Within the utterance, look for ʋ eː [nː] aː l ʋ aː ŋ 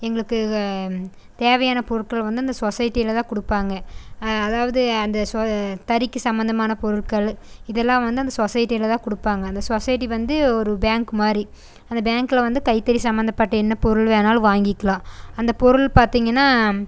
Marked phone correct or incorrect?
incorrect